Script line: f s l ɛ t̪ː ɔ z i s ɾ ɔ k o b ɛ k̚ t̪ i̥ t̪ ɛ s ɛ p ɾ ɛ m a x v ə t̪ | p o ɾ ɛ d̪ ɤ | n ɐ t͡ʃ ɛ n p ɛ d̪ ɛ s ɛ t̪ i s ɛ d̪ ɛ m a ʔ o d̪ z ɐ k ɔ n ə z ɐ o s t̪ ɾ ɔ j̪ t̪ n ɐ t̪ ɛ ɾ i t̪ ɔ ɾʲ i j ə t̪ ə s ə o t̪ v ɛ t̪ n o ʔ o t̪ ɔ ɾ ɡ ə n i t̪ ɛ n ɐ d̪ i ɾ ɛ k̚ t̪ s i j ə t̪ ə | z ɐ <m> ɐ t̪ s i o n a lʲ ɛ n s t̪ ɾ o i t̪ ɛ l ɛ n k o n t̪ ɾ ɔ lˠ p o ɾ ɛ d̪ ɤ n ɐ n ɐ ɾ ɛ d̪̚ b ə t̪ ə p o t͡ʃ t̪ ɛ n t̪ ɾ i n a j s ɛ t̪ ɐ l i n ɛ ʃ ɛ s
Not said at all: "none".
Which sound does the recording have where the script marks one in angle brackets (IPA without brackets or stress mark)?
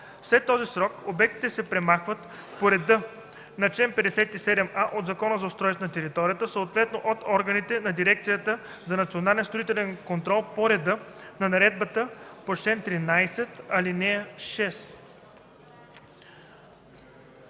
n